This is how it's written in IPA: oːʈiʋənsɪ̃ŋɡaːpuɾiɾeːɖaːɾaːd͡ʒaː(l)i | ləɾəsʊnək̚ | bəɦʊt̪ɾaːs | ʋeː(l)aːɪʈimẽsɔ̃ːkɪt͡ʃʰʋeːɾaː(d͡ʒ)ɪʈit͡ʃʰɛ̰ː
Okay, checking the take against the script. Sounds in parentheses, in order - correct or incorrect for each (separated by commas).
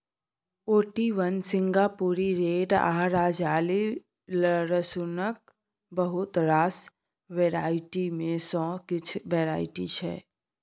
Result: correct, incorrect, incorrect